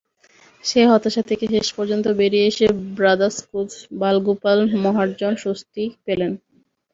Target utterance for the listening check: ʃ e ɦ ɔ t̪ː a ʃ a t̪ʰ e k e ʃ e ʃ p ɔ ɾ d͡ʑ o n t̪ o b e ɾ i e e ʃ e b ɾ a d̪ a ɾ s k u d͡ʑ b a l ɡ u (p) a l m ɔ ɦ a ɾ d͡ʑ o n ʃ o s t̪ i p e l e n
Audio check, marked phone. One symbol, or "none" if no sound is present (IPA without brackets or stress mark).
p